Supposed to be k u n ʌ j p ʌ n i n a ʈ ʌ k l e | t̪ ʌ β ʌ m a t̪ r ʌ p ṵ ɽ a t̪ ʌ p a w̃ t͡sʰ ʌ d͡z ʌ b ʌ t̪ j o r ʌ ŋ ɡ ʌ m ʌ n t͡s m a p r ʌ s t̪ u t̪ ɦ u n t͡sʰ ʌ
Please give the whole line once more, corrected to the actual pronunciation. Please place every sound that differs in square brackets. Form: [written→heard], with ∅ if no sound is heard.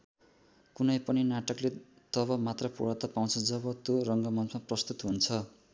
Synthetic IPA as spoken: k u n ʌ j p ʌ n i n a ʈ ʌ k l e | t̪ ʌ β ʌ m a t̪ r ʌ p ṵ ɽ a t̪ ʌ p a w̃ t͡sʰ ʌ d͡z ʌ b ʌ t̪ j o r ʌ ŋ ɡ ʌ m ʌ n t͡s m a p r ʌ s t̪ u t̪ ɦ u n t͡sʰ ʌ